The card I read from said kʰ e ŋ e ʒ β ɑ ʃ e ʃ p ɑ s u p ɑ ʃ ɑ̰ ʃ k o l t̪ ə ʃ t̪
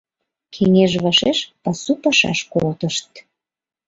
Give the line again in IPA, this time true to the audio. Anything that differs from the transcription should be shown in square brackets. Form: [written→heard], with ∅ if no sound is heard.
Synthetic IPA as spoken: kʰ e ŋ e ʒ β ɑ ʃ e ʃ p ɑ s u p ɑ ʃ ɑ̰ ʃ k o l t̪ ə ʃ t̪